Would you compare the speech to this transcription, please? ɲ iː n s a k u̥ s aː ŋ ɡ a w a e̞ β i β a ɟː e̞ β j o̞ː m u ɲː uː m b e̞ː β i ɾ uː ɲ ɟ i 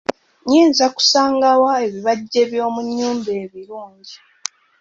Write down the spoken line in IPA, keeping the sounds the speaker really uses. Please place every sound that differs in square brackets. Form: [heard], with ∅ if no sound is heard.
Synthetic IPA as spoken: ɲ iː n [z] a k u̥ s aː ŋ ɡ a w a e̞ β i β a ɟː e̞ β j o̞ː m u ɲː uː m b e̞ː β i ɾ uː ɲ ɟ i

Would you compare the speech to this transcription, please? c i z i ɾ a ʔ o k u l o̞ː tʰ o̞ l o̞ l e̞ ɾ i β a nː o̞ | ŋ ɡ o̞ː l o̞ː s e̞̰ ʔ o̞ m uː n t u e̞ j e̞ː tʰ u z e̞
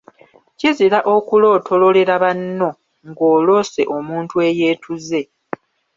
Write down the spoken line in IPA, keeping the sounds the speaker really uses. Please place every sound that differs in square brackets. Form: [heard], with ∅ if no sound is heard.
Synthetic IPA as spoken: c i z i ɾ a ʔ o k u l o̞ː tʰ o̞ l o̞ l e̞ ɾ [a] β a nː o̞ | ŋ ɡ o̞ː l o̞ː s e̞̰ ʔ o̞ m uː n t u e̞ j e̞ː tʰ u z e̞

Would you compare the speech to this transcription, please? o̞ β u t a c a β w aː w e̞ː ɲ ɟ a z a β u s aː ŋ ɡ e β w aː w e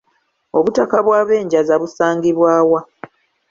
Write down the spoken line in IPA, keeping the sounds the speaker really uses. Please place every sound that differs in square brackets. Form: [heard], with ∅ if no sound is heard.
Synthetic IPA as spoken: o̞ β u t a [k] a β w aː [β] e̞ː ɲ ɟ a z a β u s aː ŋ ɡ [i] β w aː w [a]

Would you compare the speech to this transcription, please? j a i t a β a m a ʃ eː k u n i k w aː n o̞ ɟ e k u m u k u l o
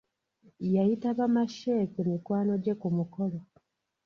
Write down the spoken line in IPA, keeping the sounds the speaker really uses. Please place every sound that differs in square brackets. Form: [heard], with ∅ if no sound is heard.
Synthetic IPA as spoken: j a i t a β a m a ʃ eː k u [m] i k w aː n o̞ ɟ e k u m u k [o] l o

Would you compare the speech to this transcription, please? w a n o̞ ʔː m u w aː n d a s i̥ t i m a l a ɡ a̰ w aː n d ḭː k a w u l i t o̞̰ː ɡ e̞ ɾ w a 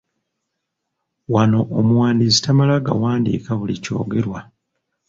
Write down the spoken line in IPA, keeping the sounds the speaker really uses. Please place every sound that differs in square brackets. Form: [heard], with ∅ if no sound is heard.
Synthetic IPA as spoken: w a n o̞ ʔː m u w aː n d [i] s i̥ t [a] m a l a ɡ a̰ w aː n d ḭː k a [β] u l i [c] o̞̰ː ɡ e̞ ɾ w a

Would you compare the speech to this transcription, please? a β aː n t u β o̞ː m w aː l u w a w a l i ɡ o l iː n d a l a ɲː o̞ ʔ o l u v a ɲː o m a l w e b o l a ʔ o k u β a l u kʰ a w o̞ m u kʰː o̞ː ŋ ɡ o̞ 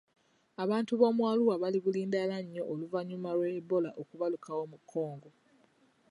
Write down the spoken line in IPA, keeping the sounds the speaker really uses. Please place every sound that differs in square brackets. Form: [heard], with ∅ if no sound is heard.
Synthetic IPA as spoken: a β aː n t u β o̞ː m w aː l u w a [β] a l i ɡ [u] l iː n d a l a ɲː o̞ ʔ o l u v a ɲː [u] m a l w e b o l a ʔ o k u β a l u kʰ a w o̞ m u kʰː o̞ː ŋ ɡ o̞

